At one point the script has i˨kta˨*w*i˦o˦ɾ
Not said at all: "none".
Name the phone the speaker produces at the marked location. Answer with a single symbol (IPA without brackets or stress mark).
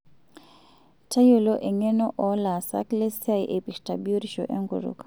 b